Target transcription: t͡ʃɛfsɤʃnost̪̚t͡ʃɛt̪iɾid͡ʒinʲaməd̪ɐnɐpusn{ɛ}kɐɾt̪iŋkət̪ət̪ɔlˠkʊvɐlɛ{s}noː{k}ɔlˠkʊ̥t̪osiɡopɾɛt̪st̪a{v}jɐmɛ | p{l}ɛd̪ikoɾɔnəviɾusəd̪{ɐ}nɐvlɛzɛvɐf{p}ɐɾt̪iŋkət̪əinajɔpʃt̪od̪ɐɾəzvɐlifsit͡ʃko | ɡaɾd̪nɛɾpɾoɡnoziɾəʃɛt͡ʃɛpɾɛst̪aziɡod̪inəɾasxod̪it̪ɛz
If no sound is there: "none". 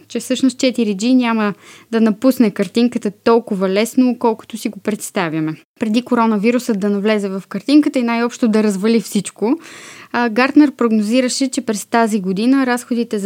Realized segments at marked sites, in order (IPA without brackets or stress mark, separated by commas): ɛ, s, k, v, ɾ, ɐ, k